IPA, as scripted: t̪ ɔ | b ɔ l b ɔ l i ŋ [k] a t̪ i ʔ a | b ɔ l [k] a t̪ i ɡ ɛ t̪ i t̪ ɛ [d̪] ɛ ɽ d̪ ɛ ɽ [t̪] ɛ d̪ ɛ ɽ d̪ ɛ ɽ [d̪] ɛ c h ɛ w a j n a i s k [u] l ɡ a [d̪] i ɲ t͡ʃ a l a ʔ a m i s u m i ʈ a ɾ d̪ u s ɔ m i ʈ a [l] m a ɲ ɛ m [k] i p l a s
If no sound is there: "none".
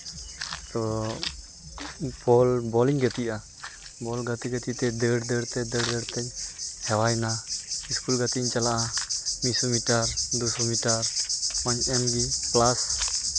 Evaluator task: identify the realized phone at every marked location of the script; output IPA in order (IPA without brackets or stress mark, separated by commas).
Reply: ɡ, ɡ, d̪, t̪, t̪, u, t̪, ɾ, ɡ